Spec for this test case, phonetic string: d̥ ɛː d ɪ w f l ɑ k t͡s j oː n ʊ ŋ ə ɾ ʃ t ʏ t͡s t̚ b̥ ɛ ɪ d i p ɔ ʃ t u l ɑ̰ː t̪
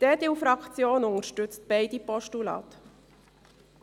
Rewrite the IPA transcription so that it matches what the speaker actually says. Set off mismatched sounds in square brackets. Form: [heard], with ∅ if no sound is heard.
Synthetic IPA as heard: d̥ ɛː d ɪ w f [ɾ] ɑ k t͡s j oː n ʊ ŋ ə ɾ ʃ t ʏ t͡s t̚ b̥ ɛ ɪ d i p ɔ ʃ t u l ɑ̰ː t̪